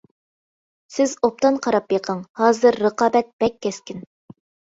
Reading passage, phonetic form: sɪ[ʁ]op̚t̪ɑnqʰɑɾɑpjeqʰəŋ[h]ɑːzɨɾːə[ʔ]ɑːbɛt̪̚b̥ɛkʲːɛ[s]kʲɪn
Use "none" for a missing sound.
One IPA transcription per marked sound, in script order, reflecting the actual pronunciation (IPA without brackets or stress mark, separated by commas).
z, h, q, s